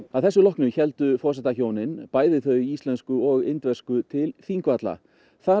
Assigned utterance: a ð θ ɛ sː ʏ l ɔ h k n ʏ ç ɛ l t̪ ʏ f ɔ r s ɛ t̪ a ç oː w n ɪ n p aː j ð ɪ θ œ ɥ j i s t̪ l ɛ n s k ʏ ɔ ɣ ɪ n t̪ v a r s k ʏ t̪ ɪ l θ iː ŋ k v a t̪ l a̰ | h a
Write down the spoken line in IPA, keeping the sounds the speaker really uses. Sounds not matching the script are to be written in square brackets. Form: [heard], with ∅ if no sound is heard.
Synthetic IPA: a ð θ ɛ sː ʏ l ɔ h k n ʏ ç ɛ l t̪ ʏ f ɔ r s ɛ t̪ a ç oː w n ɪ n p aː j ð ɪ θ œ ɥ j i s t̪ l ɛ n s k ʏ ɔ ɣ ɪ n t̪ v [ɛ] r s k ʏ [t̪ʰ] ɪ l θ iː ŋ k v a t̪ l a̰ | [θ] a

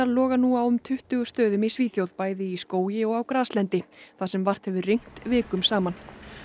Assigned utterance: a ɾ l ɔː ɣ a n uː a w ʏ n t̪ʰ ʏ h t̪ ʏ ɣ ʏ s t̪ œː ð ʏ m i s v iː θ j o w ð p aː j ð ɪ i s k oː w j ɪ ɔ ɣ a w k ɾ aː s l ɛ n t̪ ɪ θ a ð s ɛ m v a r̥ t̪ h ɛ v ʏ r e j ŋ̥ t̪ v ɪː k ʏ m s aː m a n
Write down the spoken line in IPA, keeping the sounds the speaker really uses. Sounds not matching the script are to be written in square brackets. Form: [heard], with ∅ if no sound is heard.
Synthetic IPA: a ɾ l ɔː ɣ a n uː a w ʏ [m] t̪ʰ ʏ h t̪ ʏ ɣ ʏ s t̪ œː ð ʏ m i s v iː θ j o w ð p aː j ð ɪ i s k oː w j ɪ ɔ ɣ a w k ɾ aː s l ɛ n t̪ ɪ θ a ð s ɛ m v a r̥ t̪ h ɛ v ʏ r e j ŋ̥ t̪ v ɪː k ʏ m s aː m a n

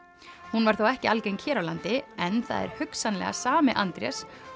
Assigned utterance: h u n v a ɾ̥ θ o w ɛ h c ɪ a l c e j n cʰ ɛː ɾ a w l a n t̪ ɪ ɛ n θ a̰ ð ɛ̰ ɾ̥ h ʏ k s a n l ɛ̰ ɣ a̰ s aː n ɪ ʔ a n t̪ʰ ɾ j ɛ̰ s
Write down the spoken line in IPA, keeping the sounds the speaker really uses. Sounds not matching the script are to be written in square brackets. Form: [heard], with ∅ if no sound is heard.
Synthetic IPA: h u n v a ɾ̥ θ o w ɛ h c ɪ a l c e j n cʰ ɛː ɾ a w l a n t̪ ɪ ɛ n θ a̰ ð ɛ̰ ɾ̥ h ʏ k s a n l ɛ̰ ɣ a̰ s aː [m] ɪ ʔ a n [t̪] ɾ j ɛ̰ s

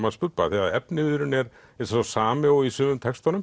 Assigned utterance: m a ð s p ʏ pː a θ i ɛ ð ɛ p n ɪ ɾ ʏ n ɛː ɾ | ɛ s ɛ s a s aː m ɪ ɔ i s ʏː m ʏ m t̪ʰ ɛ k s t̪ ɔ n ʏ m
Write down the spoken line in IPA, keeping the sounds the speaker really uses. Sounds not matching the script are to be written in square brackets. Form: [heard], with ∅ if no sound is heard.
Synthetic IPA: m a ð s p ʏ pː a θ i [a] ð ɛ p n ɪ ɾ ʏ n [ɛ] ɾ | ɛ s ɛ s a s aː m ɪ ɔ i s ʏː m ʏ m t̪ʰ ɛ k s t̪ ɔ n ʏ m

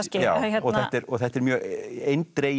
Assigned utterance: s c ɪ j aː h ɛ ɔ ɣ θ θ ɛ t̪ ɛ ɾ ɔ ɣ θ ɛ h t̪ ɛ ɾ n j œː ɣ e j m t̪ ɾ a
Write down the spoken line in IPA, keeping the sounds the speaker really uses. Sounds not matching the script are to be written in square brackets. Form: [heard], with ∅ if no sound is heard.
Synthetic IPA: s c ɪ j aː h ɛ ɔ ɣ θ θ ɛ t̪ ɛ ɾ ɔ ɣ θ ɛ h t̪ ɛ ɾ [m] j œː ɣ e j [n] t̪ ɾ [e]

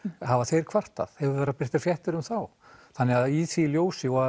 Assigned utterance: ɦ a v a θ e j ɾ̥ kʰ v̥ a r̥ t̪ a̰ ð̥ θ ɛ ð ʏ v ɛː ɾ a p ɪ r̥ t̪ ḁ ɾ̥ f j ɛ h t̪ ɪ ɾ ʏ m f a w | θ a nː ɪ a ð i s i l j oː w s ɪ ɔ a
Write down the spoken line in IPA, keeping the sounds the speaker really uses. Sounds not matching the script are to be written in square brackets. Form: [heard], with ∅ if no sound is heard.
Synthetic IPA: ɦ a v a θ e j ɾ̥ kʰ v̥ a r̥ t̪ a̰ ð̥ [h] ɛ [v] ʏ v ɛː ɾ a p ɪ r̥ t̪ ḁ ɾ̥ f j ɛ h t̪ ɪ ɾ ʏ m [θ] a w | θ a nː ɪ a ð i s i l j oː w s ɪ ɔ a

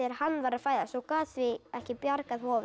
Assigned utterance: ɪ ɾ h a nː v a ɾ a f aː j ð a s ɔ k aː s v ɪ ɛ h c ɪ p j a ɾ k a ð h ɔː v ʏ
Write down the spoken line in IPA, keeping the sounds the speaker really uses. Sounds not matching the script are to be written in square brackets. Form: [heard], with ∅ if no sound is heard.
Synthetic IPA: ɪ ɾ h a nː v a ɾ a f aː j ð a s ɔ k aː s v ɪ ɛ h c ɪ p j a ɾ k a ð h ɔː v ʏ

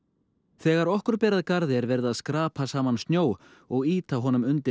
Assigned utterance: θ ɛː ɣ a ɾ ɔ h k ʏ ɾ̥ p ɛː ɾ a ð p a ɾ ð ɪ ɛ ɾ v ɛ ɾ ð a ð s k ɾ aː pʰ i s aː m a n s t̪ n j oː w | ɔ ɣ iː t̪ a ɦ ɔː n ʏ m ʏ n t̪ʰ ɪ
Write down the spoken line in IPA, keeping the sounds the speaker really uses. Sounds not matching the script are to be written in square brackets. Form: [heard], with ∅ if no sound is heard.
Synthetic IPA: θ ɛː ɣ a ɾ ɔ h k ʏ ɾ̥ p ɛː ɾ a ð [k] a ɾ ð ɪ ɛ ɾ v ɛ ɾ ð a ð s k ɾ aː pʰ [a] s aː m a n s t̪ n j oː w | ɔ ɣ iː t̪ a ɦ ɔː n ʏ m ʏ n [t̪] ɪ

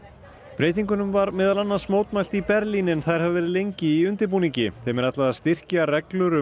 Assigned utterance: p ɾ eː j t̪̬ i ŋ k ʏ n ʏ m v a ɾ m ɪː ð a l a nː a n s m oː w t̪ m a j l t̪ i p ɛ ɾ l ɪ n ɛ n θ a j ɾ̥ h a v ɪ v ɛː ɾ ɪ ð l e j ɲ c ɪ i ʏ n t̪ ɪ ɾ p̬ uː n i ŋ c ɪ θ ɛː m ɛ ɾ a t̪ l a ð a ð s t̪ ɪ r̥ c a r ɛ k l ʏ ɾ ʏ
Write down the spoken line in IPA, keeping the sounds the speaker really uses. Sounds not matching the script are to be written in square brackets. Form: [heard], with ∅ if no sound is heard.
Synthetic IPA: p ɾ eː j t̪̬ i ŋ k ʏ n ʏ m v a ɾ m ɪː ð a l a nː a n s m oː w t̪ m a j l t̪ i p ɛ ɾ l [i] n ɛ n θ a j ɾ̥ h a v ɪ v ɛː ɾ ɪ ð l e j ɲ c ɪ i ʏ n t̪ ɪ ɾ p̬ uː n i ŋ c ɪ θ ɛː m ɛ ɾ a t̪ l a ð a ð s t̪ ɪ r̥ c a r ɛ k l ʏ ɾ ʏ

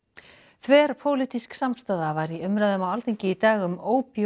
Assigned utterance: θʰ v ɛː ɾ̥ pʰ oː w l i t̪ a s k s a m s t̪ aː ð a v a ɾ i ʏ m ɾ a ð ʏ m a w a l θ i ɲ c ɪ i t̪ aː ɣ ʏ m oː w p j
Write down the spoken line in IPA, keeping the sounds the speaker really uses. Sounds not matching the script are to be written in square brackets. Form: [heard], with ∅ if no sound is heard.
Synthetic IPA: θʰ v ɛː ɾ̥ pʰ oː w l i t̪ [i] s k s a m s t̪ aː ð a v a ɾ i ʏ m ɾ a ð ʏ m a w a l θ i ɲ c ɪ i t̪ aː ɣ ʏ m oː w p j

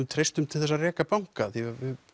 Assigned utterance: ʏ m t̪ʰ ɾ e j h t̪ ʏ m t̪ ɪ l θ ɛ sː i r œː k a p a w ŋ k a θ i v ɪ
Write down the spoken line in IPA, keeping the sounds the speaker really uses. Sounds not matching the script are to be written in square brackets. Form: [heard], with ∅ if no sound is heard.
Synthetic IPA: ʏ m t̪ʰ ɾ e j [s] t̪ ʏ m [t̪ʰ] ɪ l θ ɛ sː [a] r [ɛː] k a p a w ŋ k a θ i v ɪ

